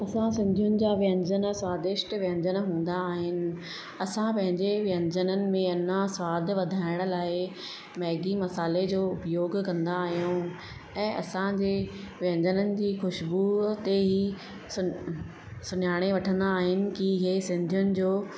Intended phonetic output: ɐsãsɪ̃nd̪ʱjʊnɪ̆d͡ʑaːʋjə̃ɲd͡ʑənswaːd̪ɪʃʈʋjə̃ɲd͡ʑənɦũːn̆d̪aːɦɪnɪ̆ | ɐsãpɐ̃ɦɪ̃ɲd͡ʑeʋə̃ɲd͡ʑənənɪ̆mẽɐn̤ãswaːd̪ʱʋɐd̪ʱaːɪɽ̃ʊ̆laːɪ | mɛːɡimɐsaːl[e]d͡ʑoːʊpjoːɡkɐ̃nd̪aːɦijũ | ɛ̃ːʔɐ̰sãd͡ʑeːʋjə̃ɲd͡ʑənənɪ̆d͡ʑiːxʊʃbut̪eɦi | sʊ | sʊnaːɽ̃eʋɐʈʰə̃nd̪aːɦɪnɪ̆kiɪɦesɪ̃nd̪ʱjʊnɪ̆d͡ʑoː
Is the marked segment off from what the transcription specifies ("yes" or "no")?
no